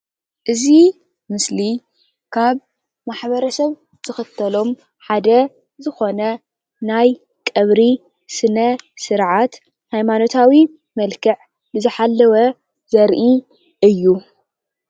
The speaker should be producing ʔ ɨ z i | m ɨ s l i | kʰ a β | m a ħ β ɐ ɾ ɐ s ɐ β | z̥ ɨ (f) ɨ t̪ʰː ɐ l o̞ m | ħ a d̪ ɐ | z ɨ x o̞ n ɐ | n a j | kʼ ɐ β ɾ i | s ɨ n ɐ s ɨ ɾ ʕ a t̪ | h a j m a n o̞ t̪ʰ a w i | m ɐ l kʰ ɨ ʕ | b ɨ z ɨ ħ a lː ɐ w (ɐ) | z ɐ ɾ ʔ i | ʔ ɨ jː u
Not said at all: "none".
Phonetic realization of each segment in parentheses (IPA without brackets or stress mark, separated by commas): x, ɐ